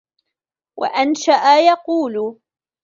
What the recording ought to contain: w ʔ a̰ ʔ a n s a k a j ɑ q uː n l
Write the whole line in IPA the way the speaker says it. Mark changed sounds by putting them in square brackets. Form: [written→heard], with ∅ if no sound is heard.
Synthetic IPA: w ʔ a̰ ʔ a n [s→ʃ] a [k→ʔ] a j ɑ q uː [n→∅] l